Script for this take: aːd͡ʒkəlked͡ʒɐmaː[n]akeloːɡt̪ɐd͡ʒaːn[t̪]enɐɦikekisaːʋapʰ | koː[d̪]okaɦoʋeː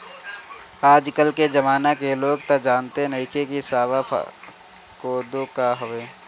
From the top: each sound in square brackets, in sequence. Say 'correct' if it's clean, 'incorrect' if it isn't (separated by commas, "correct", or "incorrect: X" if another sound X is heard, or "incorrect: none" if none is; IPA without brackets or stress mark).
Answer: correct, correct, correct